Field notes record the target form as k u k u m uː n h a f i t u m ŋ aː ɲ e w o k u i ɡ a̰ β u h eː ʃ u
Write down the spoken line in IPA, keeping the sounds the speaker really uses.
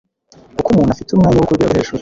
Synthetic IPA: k u k u m uː n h a f i t u m ŋ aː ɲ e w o k u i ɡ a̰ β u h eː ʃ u